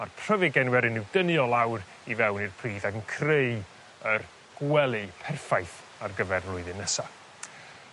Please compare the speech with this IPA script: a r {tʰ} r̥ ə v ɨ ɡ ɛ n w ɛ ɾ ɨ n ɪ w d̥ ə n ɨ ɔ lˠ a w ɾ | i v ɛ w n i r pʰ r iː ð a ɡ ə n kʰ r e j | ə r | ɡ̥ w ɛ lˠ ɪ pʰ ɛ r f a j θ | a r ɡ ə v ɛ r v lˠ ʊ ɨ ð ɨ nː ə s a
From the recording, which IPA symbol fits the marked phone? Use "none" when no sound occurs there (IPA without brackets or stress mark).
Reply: pʰ